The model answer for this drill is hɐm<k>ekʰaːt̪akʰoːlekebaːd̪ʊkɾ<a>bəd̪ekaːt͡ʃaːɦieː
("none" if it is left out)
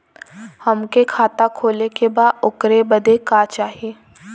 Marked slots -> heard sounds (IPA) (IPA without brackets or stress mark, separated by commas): k, e